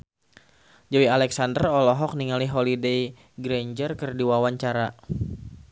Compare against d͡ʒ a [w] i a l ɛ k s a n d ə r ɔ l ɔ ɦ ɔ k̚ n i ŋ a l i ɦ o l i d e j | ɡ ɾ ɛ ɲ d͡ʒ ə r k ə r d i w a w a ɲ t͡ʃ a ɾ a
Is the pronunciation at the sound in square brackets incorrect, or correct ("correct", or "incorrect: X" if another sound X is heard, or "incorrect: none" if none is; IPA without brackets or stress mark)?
correct